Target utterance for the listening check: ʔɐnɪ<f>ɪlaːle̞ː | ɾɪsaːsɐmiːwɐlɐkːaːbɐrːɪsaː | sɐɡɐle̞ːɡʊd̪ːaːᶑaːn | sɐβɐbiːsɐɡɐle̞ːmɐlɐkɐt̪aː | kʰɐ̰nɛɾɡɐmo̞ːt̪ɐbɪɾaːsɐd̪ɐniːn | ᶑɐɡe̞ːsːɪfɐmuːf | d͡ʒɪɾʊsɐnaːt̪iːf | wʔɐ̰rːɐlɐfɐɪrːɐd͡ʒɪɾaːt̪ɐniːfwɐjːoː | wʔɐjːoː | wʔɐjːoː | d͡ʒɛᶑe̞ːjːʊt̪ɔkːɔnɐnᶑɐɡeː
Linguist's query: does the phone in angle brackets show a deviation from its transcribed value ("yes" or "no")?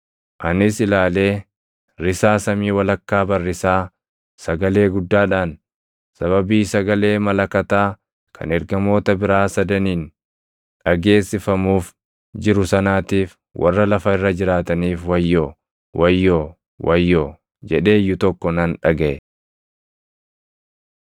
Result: yes